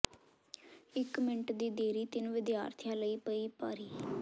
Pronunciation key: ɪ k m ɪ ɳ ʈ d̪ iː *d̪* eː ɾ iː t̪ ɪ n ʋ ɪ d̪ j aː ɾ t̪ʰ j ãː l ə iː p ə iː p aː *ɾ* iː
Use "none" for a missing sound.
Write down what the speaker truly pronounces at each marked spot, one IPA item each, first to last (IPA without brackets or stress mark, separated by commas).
d̪, ɾ